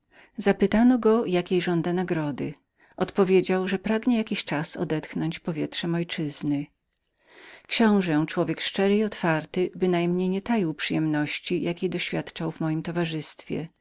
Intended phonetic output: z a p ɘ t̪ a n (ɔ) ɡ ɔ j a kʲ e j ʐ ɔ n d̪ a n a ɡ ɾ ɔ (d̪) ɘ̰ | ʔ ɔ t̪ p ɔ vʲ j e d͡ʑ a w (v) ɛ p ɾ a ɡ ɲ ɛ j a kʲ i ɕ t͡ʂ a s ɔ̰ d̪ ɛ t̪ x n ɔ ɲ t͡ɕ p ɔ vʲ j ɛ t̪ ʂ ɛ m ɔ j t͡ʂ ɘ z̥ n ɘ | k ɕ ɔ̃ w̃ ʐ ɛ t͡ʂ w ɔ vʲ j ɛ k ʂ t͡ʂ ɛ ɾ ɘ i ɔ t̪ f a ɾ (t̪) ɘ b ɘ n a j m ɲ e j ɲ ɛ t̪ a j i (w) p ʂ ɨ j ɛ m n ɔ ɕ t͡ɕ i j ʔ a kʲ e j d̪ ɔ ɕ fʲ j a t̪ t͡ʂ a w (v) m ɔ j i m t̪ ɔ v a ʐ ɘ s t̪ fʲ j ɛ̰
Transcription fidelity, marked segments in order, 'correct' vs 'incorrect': correct, correct, incorrect, correct, correct, correct

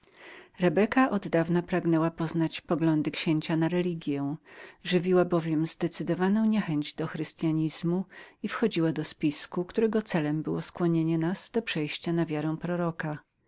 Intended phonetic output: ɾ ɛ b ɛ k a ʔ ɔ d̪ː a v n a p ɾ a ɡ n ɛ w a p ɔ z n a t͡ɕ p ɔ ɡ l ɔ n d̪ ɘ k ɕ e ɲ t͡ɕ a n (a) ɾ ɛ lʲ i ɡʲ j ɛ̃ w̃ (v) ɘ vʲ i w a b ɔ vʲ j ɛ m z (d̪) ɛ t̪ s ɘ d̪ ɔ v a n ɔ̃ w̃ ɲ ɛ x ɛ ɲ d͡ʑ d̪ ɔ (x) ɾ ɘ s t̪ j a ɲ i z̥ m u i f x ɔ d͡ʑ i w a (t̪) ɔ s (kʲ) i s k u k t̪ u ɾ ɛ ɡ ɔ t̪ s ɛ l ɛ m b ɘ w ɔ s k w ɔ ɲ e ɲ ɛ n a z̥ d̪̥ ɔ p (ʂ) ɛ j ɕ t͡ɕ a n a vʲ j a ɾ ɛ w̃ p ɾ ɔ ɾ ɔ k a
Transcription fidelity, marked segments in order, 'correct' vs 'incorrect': correct, incorrect, correct, correct, incorrect, incorrect, correct

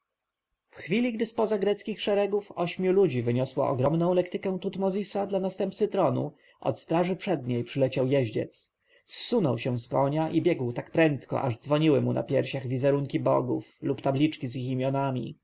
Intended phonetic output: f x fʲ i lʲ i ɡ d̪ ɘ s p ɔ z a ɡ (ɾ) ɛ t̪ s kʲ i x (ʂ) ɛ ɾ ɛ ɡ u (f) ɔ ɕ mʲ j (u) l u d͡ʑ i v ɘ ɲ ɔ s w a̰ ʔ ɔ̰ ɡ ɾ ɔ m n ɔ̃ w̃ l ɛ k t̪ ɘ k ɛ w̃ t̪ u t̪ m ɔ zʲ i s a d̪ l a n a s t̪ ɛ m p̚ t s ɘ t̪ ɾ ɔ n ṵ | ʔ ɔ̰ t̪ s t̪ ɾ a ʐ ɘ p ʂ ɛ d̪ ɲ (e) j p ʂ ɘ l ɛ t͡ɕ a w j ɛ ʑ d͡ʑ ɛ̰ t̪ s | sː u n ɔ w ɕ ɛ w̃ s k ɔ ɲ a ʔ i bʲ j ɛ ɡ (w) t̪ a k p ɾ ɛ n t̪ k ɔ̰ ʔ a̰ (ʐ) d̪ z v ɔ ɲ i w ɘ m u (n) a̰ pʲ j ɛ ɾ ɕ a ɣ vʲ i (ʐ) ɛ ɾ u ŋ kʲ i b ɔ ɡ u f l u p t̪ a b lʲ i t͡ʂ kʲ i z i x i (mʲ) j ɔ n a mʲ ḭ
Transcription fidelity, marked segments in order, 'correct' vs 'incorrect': correct, correct, correct, correct, correct, correct, correct, correct, incorrect, correct

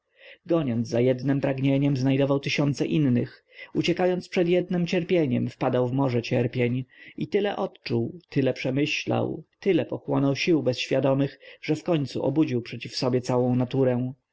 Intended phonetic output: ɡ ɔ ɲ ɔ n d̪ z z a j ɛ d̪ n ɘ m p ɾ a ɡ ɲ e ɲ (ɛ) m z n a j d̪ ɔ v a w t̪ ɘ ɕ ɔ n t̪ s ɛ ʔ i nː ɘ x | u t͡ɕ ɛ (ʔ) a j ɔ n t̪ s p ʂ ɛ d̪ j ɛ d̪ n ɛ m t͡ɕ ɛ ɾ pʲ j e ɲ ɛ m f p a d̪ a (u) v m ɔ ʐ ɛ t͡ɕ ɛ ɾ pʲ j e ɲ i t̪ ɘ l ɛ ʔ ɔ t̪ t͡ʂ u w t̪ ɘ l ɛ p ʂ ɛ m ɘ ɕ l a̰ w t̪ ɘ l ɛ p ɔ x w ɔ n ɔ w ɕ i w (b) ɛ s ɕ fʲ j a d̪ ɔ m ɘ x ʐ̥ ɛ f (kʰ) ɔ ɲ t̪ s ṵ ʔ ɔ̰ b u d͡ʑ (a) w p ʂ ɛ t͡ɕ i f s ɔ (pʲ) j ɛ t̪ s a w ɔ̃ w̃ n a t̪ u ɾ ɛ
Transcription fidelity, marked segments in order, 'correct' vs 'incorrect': correct, incorrect, incorrect, correct, incorrect, incorrect, incorrect

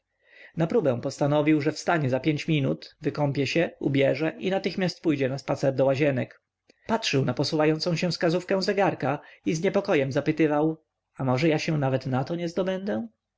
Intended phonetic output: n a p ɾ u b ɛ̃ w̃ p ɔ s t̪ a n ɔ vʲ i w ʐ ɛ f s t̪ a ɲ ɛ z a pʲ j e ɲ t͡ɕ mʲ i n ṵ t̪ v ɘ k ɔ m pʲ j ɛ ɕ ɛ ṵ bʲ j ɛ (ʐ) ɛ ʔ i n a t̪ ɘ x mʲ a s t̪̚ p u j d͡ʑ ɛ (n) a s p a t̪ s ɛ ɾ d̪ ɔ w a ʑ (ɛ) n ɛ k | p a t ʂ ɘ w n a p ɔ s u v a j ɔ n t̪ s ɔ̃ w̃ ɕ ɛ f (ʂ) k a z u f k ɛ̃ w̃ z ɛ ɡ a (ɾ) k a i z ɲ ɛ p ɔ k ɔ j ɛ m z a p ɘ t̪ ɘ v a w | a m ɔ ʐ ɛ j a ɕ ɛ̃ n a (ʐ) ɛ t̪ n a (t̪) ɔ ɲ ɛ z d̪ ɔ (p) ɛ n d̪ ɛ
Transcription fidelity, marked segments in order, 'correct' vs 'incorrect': correct, correct, correct, incorrect, correct, incorrect, correct, incorrect

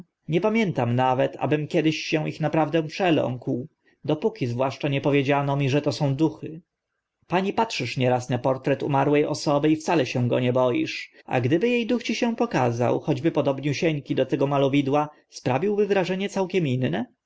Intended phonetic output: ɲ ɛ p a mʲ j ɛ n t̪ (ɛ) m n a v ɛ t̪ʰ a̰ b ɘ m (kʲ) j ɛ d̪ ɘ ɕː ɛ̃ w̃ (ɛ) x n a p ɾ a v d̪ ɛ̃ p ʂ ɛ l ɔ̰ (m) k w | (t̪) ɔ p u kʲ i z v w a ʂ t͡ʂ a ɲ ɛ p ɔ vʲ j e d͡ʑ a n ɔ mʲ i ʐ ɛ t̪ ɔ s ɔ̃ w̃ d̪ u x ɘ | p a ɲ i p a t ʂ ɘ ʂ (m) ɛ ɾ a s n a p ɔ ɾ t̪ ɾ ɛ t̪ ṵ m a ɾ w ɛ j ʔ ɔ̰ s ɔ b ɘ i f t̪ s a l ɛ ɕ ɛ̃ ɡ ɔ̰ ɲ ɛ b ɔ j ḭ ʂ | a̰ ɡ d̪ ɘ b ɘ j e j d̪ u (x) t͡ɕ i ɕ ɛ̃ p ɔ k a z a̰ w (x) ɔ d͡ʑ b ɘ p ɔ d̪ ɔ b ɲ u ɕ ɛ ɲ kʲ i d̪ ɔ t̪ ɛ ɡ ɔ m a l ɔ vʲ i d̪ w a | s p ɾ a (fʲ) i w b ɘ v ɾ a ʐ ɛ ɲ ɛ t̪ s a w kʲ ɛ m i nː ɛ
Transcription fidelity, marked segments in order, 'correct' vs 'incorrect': incorrect, correct, incorrect, incorrect, incorrect, incorrect, correct, correct, incorrect

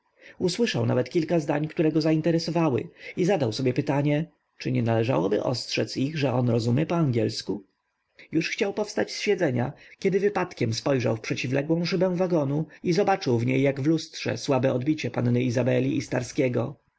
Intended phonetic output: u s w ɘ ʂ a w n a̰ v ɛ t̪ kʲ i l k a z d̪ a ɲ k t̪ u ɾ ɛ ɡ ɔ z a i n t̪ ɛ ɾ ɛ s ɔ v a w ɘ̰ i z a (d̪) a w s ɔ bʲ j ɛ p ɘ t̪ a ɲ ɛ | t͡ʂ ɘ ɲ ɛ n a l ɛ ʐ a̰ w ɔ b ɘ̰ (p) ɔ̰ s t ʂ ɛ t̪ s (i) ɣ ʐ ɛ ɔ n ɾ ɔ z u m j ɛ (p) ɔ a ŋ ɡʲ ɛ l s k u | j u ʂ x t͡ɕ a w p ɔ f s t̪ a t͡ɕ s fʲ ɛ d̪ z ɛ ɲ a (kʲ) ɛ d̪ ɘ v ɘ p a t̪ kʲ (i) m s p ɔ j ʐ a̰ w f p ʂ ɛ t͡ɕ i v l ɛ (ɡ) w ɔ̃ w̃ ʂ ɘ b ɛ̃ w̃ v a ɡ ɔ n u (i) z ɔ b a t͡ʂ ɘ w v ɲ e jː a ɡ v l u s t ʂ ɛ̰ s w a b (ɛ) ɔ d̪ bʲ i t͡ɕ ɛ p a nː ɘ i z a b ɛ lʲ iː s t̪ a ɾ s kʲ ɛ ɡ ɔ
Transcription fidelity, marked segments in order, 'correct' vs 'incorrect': correct, incorrect, correct, correct, correct, incorrect, correct, correct, correct

